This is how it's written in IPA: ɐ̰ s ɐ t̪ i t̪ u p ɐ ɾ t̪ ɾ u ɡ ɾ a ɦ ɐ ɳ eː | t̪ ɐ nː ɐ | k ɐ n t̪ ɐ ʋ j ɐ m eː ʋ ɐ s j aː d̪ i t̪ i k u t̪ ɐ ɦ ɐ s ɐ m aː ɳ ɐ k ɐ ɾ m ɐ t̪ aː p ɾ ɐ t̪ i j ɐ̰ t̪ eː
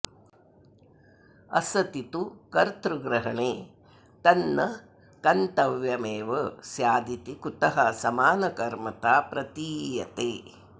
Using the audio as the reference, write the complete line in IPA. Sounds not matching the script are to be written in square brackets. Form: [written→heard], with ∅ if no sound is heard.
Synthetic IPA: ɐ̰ s ɐ t̪ i t̪ u [p→k] ɐ ɾ t̪ ɾ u ɡ ɾ [a→ɐ] ɦ ɐ ɳ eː | t̪ ɐ nː ɐ | k ɐ n t̪ ɐ ʋ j ɐ m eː ʋ ɐ s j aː d̪ i t̪ i k u t̪ ɐ ɦ ɐ s ɐ m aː [ɳ→n] ɐ k ɐ ɾ m ɐ t̪ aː p ɾ ɐ t̪ [i→iː] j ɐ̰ t̪ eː